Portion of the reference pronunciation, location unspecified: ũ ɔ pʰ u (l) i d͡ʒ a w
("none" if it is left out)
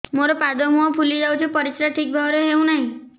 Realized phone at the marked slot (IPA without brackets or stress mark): l